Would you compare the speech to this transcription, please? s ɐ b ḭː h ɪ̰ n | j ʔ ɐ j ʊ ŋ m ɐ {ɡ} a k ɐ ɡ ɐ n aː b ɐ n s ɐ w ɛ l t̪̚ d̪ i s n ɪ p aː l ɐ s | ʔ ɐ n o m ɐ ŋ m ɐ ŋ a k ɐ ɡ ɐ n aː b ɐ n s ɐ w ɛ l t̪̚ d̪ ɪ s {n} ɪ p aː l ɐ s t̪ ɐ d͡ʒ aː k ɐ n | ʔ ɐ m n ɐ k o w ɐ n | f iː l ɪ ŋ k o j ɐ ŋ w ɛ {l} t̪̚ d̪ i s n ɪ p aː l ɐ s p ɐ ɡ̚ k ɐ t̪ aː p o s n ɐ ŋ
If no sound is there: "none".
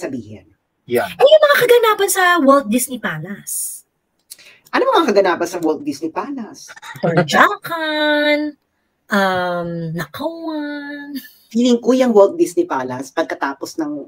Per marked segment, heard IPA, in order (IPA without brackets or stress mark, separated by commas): ŋ, n, l